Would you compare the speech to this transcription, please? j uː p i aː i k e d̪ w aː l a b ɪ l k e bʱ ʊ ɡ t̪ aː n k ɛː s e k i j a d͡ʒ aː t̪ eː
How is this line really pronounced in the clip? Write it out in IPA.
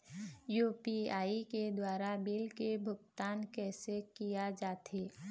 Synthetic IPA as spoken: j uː p i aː i k e d̪ w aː ɾ a b ɪ l k e bʱ ʊ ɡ t̪ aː n k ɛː s e k i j a d͡ʒ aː t̪ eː